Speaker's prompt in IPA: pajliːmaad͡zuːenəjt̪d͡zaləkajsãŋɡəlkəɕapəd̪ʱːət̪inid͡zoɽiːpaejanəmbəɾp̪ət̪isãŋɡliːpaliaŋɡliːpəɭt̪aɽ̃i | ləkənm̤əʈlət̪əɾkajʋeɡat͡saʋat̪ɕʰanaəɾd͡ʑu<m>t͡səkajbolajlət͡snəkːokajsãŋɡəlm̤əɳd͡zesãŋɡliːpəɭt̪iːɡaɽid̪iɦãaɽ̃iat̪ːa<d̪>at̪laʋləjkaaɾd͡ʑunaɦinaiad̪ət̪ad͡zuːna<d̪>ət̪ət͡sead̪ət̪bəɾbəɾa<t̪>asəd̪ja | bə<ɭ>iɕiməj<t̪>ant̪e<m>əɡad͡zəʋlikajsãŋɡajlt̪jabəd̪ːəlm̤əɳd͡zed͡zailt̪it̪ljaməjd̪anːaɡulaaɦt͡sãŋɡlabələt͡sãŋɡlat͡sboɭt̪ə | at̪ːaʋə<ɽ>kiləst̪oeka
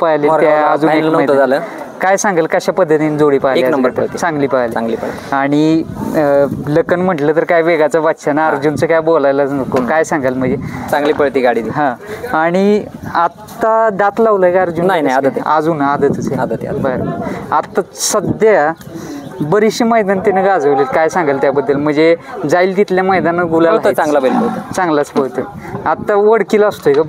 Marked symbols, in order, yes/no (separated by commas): no, yes, yes, yes, no, no, no, yes